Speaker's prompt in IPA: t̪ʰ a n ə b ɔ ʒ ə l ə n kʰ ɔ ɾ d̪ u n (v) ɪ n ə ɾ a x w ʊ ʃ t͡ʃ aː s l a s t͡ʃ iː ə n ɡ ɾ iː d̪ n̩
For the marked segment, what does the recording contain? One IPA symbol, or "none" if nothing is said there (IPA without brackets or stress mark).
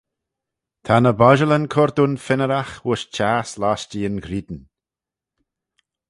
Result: f